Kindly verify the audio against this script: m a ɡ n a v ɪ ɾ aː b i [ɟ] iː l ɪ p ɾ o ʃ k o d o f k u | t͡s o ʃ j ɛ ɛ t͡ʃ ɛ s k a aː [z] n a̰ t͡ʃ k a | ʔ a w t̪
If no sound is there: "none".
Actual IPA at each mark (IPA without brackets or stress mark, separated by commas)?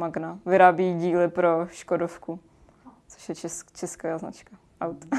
ɟ, z